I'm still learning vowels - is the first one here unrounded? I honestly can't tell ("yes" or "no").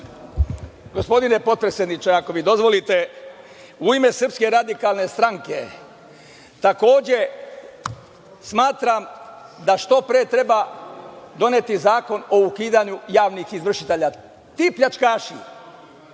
no